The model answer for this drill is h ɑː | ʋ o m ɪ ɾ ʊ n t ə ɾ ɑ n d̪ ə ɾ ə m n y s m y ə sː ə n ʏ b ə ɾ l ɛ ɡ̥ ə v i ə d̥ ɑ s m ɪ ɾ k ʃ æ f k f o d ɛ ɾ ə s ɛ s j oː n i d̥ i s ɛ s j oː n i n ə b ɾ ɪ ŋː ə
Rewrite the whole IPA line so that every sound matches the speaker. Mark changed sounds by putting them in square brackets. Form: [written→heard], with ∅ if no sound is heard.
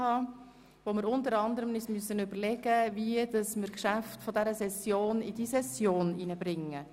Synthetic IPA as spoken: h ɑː | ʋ o m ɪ ɾ ʊ n t ə ɾ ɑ n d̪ ə ɾ ə m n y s m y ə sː ə n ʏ b ə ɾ l ɛ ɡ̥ ə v i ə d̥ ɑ s m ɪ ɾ k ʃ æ f [k→t] f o d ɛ ɾ ə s ɛ s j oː n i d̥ i s ɛ s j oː n i n ə b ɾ ɪ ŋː ə